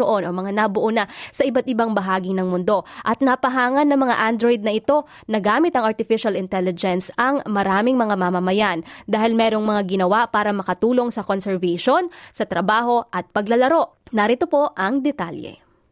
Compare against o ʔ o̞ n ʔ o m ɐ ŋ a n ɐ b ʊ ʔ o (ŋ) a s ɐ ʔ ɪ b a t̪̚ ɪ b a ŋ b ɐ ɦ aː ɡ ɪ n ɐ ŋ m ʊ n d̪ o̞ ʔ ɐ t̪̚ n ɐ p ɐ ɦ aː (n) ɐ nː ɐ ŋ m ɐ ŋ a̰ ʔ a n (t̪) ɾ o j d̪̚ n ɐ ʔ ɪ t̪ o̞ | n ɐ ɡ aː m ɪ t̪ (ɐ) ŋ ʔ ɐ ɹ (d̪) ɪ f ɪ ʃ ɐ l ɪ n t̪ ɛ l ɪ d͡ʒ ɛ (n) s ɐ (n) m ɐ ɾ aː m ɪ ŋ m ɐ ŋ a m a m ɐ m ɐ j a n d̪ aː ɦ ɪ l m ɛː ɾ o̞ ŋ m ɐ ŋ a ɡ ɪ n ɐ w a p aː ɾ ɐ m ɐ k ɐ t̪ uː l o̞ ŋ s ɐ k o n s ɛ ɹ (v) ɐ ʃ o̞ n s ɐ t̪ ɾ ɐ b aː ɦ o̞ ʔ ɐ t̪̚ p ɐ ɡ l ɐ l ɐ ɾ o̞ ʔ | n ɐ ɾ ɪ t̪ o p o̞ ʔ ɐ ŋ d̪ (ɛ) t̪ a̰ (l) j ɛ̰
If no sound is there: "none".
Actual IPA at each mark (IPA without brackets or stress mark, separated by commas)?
n, ŋ, d̪, ɐ, t̪, n, ŋ, v, ɛ, l